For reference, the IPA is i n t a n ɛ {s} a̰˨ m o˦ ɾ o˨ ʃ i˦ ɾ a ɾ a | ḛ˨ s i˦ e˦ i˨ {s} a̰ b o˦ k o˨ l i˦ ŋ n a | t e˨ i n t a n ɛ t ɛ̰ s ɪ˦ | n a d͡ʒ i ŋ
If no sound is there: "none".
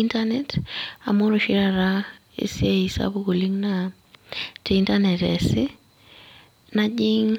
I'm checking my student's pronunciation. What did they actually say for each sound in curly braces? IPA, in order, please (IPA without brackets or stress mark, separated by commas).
t, s